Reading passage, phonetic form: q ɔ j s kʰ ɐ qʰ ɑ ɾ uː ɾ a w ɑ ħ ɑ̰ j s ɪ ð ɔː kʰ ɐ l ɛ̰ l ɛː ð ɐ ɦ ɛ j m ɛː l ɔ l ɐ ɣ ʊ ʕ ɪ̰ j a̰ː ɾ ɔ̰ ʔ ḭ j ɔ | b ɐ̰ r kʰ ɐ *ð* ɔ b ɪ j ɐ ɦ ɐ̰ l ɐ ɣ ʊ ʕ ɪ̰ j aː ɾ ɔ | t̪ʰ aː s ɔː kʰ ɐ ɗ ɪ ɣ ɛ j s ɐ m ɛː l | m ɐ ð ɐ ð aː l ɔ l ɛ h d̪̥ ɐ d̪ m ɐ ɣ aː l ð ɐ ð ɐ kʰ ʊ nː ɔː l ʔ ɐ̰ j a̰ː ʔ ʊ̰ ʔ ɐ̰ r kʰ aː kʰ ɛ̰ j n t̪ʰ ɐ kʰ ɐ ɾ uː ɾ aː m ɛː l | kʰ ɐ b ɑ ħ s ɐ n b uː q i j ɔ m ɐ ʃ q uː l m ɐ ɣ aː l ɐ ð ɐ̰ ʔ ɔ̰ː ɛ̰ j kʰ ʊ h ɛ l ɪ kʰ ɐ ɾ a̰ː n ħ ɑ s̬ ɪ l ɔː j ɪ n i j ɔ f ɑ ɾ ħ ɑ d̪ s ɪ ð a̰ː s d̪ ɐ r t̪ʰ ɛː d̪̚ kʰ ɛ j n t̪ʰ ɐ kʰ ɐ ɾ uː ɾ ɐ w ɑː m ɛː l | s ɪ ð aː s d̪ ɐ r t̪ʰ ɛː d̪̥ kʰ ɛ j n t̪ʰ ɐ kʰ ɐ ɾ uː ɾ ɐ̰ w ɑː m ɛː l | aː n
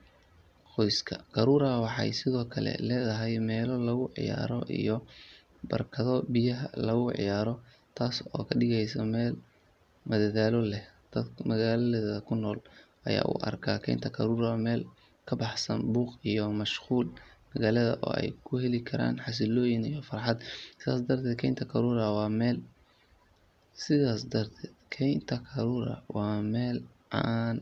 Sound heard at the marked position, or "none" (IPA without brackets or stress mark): ð